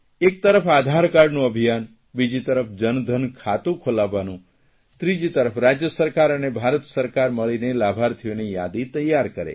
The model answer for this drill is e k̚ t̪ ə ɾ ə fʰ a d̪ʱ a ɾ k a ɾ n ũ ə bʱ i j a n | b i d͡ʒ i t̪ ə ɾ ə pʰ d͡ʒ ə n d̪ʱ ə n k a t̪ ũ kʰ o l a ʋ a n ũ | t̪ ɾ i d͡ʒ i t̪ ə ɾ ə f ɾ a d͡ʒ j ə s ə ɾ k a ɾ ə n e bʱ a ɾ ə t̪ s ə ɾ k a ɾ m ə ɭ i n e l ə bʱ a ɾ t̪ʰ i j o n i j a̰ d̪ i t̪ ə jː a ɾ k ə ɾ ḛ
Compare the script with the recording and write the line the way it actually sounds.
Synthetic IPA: e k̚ t̪ ə ɾ ə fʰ a d̪ʱ a ɾ k a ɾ n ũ ə bʱ i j a n | b i d͡ʒ i t̪ ə ɾ ə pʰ d͡ʒ ə n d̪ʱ ə n kʰ a t̪ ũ kʰ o l a ʋ a n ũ | t̪ ɾ i d͡ʒ i t̪ ə ɾ ə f ɾ a d͡ʒ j ə s ə ɾ k a ɾ ə n e bʱ a ɾ ə t̪ s ə ɾ k a ɾ m ə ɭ i n e l a bʱ a ɾ t̪ʰ i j o n i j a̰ d̪ i t̪ ə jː a ɾ k ə ɾ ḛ